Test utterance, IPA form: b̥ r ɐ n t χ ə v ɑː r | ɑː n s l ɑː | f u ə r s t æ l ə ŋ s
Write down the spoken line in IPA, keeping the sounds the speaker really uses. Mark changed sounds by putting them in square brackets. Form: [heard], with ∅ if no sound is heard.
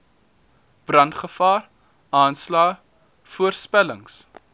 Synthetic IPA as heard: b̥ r ɐ n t χ ə [f] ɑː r | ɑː n s l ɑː | f u ə r s [p] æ l ə ŋ s